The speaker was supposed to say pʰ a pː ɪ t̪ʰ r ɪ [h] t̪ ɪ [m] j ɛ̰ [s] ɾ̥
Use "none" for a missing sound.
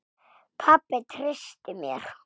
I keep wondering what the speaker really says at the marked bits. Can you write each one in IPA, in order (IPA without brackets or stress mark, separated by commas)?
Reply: s, m, none